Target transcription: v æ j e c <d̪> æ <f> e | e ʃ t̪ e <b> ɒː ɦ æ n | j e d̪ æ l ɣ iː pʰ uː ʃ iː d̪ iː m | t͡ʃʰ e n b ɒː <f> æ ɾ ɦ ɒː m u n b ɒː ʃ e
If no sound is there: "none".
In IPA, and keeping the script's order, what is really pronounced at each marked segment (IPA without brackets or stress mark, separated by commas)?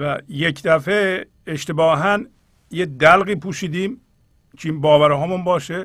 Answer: d̪, f, b, v